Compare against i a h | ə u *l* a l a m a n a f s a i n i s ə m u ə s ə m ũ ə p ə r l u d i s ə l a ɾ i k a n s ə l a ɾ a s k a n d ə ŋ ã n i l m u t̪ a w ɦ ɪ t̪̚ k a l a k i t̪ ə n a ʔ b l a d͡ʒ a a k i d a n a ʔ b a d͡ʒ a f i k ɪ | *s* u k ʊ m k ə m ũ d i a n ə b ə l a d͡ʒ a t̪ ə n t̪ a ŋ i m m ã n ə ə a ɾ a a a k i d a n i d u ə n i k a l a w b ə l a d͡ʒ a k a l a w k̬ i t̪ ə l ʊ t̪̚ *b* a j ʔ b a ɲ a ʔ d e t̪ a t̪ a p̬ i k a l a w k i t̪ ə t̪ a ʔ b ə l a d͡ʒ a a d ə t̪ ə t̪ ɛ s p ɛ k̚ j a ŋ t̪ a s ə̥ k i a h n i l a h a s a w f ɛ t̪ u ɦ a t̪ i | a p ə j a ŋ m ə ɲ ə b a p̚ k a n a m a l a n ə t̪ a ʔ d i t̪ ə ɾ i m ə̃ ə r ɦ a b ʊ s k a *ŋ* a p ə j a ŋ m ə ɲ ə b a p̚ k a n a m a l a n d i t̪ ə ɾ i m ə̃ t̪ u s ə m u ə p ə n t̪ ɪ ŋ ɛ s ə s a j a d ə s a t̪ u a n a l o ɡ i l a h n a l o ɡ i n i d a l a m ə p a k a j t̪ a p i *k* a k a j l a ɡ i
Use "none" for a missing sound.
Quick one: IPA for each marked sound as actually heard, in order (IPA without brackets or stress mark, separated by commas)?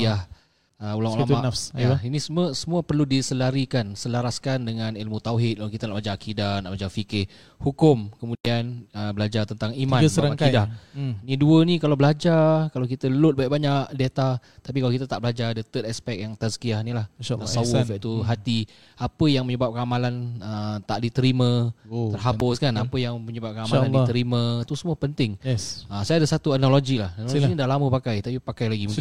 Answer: l, h, b, n, p